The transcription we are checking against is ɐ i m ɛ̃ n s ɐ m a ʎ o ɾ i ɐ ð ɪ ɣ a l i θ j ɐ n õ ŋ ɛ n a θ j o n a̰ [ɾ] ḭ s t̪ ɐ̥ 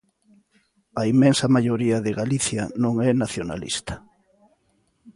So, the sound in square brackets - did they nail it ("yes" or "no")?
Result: no